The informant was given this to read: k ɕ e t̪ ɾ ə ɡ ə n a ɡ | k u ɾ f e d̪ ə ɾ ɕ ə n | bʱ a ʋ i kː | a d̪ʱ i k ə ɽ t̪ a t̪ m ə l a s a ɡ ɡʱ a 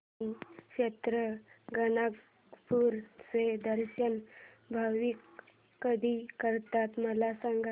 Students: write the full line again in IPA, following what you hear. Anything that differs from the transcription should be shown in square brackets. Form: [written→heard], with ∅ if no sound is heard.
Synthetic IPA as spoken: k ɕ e t̪ ɾ ə ɡ ə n a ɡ | [k→p] u ɾ [f→s] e d̪ ə ɾ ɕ ə n | bʱ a ʋ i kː | [a→ə] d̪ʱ i k ə [ɽ→ɾ] t̪ a t̪ m ə l a s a [ɡ→ŋ] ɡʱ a